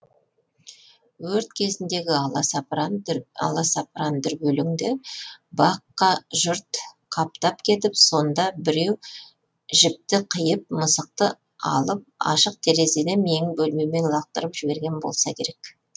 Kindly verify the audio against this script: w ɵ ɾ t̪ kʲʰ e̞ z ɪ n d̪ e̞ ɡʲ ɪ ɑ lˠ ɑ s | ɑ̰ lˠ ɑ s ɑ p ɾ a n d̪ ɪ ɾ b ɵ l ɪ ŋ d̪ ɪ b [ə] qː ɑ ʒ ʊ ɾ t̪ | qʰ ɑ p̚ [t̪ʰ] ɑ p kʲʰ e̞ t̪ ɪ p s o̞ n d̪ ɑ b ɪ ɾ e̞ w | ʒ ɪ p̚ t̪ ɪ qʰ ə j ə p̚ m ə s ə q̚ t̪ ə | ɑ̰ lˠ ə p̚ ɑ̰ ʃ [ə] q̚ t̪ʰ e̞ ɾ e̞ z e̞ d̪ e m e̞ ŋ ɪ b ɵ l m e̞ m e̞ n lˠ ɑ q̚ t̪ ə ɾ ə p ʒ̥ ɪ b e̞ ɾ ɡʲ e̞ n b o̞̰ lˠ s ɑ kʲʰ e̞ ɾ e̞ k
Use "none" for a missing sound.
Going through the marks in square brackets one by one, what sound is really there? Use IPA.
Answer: ɑ, t̪, ə

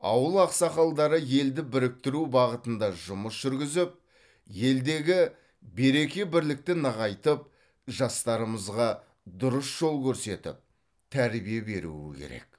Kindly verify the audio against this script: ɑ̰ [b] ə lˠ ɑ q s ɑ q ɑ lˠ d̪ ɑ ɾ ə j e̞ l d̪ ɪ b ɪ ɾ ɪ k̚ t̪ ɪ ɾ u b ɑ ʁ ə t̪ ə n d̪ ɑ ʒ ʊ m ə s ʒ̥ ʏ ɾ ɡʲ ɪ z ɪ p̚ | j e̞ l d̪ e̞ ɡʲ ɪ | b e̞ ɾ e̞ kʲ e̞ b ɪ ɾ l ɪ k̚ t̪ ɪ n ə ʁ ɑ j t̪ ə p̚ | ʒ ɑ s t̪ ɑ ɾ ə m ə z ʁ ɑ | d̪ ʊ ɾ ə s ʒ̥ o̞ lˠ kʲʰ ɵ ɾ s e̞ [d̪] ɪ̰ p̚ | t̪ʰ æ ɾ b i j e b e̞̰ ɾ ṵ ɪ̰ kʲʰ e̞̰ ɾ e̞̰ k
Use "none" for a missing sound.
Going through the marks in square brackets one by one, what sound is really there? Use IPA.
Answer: w, t̪

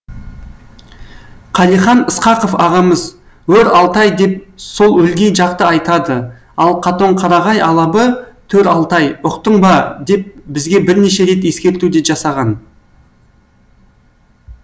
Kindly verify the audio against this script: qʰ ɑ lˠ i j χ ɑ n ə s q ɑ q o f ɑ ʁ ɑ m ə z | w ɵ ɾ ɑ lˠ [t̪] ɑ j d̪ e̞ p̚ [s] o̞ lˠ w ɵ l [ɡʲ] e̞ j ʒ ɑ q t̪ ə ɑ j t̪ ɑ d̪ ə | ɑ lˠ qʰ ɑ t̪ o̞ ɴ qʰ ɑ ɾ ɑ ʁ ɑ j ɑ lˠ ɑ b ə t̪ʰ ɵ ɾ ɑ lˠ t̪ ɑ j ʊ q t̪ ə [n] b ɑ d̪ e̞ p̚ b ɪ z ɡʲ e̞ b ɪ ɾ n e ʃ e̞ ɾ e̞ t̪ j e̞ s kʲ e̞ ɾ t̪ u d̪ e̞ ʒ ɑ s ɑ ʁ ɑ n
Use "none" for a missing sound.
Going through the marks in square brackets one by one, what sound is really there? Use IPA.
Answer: t̪, s, ɡʲ, ɴ

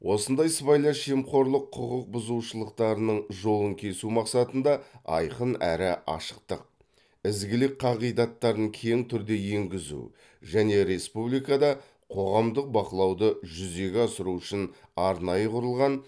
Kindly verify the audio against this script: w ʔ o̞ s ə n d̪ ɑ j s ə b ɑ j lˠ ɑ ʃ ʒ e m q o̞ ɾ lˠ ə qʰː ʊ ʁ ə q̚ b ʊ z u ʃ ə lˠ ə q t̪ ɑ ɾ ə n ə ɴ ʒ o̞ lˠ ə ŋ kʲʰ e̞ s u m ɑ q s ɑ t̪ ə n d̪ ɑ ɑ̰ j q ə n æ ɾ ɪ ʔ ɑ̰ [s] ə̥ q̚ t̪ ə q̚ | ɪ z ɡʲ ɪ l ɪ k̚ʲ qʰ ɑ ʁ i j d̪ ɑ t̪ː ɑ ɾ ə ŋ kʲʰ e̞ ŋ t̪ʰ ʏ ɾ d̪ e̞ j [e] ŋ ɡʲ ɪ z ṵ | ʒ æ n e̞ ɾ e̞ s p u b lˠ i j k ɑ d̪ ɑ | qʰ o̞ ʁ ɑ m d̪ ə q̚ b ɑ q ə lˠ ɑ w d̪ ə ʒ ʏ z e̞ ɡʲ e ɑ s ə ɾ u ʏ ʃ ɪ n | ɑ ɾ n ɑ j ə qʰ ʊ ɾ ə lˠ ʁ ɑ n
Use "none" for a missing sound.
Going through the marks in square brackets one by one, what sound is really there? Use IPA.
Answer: ʃ, e

